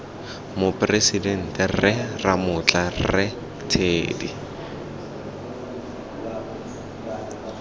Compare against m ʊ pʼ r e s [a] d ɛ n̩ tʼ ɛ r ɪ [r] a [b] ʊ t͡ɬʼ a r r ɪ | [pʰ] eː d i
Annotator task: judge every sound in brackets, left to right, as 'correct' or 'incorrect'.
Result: incorrect, correct, incorrect, incorrect

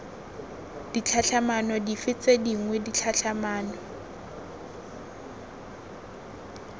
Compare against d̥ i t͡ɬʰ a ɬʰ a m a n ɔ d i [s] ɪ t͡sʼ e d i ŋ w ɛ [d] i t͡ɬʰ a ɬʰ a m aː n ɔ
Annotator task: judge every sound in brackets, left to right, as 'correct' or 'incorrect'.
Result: incorrect, correct

